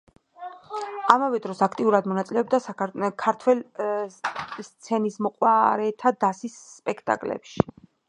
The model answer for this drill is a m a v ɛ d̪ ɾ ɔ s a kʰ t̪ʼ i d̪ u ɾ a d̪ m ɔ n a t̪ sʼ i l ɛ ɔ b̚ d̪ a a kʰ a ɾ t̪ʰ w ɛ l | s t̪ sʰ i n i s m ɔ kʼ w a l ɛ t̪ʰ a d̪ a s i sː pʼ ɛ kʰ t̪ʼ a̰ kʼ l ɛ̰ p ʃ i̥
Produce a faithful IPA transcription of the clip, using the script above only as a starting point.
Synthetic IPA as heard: a m a v ɛ d̪ ɾ ɔ s a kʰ t̪ʼ i u ɾ a d̪ m ɔ n a t̪ sʼ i l ɛ ɔ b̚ d̪ a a kʰ a ɾ t̪ʰ w ɛ l | s t̪ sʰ ɛ n i s m ɔ qʼ w a ɾ ɛ t̪ʰ a d̪ a s i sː pʼ ɛ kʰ t̪ʼ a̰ kʼ l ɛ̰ p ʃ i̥